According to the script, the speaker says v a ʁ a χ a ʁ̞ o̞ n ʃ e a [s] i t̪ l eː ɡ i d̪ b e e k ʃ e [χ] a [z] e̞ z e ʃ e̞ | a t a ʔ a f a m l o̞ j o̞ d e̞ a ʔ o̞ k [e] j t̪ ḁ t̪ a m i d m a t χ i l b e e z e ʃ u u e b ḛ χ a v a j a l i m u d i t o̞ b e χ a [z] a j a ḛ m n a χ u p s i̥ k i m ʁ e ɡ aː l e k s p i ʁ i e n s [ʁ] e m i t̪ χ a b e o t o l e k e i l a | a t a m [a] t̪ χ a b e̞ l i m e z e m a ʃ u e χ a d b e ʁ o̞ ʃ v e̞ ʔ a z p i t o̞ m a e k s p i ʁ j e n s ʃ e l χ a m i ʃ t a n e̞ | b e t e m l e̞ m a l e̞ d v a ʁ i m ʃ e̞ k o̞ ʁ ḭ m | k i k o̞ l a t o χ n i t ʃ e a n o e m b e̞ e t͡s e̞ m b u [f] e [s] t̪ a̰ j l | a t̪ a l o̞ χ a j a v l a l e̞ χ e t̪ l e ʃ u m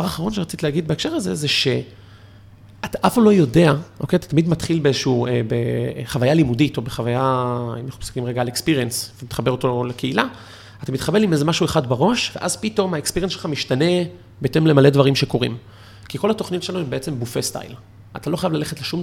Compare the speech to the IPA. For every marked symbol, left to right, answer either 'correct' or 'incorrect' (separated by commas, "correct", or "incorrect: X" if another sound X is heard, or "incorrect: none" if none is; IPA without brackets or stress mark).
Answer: incorrect: t͡s, incorrect: ʁ, correct, correct, incorrect: v, incorrect: v, incorrect: i, correct, correct